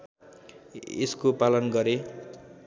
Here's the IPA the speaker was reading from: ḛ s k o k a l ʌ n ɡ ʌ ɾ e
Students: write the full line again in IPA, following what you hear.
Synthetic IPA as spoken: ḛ s k o p a l ʌ n ɡ ʌ ɾ e